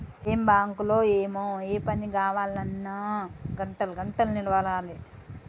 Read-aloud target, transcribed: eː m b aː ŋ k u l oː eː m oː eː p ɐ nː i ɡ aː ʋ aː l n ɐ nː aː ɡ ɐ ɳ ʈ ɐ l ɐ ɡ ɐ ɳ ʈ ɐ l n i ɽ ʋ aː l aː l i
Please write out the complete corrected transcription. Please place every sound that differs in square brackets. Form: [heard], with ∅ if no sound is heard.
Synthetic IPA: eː m b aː ŋ k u l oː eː m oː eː p ɐ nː i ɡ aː ʋ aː l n ɐ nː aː ɡ ɐ ɳ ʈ ɐ l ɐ ɡ ɐ ɳ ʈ ɐ l n i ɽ ʋ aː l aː l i